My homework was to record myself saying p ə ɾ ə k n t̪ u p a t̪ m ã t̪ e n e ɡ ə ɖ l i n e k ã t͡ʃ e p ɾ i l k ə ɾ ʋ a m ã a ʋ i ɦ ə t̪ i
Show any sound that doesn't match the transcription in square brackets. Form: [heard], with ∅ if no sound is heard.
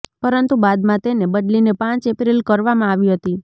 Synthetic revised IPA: p ə ɾ ə [∅] n t̪ u [b] a [d̪] m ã t̪ e n e [b] ə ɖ l i n e [p] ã t͡ʃ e p ɾ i l k ə ɾ ʋ a m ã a ʋ i ɦ ə t̪ i